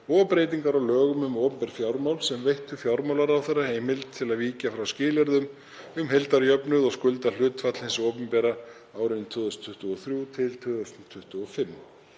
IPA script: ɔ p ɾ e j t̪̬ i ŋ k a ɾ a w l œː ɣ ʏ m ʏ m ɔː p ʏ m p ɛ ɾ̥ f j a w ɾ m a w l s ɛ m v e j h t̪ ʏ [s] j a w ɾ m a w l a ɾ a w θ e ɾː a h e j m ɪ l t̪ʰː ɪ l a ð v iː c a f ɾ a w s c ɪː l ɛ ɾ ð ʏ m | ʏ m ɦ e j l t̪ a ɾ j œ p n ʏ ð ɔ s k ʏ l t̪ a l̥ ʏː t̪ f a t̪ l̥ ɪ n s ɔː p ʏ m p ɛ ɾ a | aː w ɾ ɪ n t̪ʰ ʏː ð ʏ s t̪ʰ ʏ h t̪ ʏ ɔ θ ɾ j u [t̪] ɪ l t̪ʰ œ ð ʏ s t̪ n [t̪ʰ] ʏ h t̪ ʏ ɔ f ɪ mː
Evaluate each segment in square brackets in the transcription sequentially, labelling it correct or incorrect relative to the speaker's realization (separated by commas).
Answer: incorrect, incorrect, correct